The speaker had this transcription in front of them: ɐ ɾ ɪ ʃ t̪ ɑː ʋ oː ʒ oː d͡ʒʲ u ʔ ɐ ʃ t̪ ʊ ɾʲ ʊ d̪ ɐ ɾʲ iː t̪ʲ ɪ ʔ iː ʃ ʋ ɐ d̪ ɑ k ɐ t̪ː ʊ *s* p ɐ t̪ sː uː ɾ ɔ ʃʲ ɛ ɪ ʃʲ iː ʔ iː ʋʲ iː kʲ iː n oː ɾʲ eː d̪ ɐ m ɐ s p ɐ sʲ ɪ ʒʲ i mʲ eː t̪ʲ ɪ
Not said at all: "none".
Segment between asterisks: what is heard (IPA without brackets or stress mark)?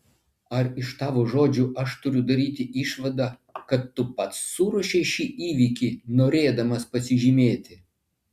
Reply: none